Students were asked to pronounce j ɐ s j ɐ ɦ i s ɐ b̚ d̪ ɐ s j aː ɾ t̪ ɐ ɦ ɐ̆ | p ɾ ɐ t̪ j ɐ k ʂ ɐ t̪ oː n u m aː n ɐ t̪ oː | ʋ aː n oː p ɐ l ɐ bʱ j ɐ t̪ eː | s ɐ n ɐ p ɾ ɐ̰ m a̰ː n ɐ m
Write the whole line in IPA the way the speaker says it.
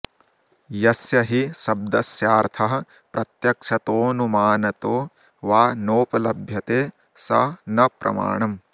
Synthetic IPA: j ɐ s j ɐ ɦ i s ɐ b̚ d̪ ɐ s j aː ɾ t̪ʰ ɐ ɦ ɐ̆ | p ɾ ɐ t̪ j ɐ k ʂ ɐ t̪ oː n u m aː n ɐ t̪ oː | ʋ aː n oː p ɐ l ɐ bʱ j ɐ t̪ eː | s ɐ n ɐ p ɾ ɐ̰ m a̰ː ɳ ɐ m